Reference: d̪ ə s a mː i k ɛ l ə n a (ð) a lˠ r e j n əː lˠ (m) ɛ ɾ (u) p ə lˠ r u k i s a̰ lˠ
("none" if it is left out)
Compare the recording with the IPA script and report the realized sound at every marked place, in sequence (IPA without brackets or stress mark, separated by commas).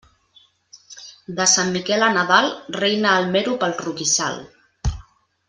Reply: ð, m, u